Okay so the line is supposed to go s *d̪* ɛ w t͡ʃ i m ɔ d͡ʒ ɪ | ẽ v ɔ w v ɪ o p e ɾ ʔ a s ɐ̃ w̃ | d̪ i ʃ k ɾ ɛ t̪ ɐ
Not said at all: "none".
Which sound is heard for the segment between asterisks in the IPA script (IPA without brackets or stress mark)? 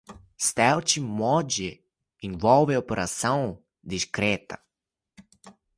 t̪